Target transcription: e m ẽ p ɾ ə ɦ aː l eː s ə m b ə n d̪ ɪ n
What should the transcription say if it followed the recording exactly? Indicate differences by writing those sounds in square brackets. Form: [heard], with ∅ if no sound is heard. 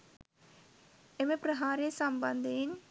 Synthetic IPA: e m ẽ p ɾ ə ɦ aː [ɾ] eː s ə m b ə n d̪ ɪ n